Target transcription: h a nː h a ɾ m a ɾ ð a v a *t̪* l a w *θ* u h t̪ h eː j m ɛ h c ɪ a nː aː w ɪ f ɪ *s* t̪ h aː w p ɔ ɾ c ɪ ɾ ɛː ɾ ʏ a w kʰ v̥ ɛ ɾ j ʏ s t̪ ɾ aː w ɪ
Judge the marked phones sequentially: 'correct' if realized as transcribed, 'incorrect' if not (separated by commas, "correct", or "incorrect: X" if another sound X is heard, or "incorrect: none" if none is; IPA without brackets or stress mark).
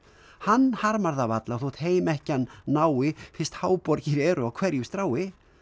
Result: correct, correct, correct